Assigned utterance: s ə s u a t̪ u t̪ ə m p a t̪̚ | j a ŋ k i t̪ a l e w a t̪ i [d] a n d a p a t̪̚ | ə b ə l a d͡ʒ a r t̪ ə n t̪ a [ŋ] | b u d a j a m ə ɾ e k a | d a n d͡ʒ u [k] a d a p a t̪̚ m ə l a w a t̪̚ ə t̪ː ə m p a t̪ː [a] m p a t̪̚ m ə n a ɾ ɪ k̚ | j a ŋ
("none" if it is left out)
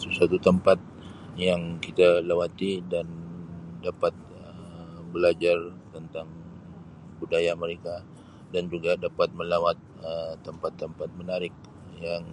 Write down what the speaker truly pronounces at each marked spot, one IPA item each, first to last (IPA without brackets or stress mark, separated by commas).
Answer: d, ŋ, ɡ, ə